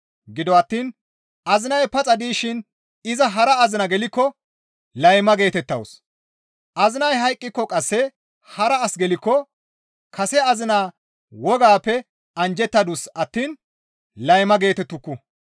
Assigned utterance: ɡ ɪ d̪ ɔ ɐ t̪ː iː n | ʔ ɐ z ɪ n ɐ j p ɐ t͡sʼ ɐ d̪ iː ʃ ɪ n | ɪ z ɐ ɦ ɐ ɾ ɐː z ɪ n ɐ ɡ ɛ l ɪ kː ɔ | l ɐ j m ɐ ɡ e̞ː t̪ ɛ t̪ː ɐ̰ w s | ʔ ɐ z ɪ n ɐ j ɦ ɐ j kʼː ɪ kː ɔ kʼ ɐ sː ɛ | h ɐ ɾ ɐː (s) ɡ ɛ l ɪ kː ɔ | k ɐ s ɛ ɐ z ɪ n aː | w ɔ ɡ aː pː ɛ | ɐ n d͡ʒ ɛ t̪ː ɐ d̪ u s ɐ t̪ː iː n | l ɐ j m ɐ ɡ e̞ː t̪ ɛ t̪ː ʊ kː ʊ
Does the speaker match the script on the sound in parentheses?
yes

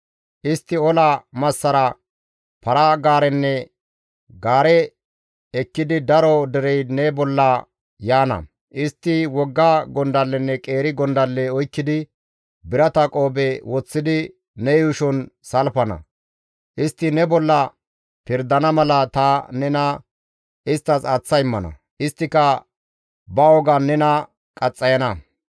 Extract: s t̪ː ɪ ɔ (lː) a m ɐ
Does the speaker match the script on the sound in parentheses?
no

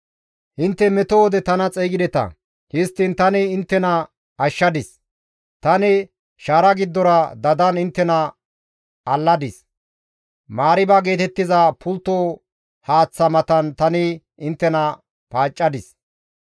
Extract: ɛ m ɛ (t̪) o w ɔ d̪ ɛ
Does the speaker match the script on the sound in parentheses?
yes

